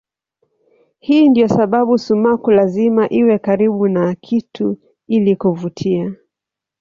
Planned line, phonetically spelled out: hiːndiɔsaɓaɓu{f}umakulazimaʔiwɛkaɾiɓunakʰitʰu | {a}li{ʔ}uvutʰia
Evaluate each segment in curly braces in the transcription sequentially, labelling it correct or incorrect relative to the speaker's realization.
incorrect, incorrect, incorrect

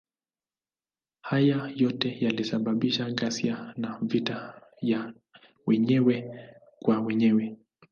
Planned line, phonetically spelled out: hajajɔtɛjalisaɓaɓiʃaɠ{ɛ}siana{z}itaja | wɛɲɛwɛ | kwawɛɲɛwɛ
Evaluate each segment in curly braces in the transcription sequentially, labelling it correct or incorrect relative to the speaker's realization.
incorrect, incorrect

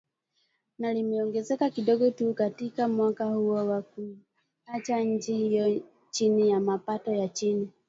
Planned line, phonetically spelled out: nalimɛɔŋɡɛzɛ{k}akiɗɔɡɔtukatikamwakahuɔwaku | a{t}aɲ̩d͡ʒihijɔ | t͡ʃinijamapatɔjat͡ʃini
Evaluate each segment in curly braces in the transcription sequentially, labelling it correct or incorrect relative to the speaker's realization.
correct, incorrect

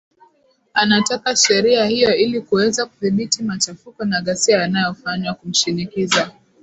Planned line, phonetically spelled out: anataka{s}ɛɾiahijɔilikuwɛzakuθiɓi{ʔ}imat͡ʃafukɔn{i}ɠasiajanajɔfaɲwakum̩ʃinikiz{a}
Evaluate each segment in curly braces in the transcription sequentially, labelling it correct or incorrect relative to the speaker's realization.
incorrect, incorrect, incorrect, correct

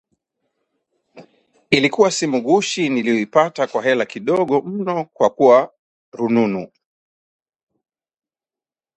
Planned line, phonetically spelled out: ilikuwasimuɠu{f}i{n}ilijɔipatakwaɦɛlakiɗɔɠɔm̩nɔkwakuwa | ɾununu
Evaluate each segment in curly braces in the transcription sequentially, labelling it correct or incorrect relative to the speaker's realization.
incorrect, correct

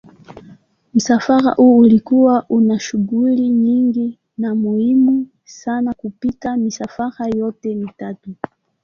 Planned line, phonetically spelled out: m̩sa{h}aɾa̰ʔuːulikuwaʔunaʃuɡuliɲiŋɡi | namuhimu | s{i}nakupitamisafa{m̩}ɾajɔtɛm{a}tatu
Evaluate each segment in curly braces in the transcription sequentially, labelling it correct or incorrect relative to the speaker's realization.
incorrect, incorrect, incorrect, incorrect

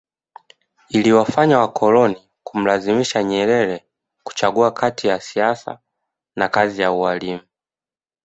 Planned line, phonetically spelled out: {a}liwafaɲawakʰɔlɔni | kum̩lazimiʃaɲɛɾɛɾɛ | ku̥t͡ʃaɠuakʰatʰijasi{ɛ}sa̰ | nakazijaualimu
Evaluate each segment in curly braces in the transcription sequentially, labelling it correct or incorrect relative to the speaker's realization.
incorrect, incorrect

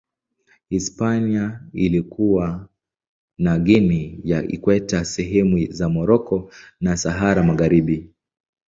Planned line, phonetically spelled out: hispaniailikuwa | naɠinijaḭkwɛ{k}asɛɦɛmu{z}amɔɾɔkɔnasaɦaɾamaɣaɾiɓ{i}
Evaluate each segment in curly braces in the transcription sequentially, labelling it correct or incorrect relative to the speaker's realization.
incorrect, correct, correct

